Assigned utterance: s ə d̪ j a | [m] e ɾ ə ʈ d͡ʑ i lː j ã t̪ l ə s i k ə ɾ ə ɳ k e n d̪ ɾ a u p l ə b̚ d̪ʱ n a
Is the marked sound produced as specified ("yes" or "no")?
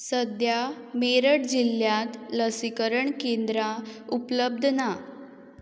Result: yes